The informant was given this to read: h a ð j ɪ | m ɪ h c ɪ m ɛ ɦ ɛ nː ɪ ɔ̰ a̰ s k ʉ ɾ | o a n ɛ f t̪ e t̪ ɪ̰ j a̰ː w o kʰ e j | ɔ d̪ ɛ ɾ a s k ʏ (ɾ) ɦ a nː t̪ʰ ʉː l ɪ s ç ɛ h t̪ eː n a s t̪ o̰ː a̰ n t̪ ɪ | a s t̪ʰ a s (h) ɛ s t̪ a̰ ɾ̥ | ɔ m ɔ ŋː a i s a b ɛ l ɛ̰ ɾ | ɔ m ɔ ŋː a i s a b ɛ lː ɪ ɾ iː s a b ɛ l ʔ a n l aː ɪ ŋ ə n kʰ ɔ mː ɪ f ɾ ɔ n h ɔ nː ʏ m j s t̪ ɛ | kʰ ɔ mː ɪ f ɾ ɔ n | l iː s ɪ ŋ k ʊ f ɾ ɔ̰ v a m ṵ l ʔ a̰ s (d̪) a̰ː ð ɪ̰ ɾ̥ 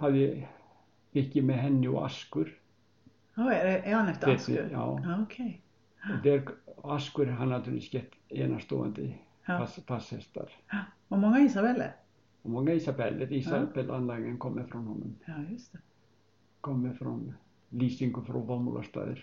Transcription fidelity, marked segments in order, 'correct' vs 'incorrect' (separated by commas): correct, correct, incorrect